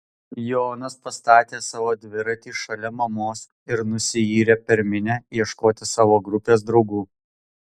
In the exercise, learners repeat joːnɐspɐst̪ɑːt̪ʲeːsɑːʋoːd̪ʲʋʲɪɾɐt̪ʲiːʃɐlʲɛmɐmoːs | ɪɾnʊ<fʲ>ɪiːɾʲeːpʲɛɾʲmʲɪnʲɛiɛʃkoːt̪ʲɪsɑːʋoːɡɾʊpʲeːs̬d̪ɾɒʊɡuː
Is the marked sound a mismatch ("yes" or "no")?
yes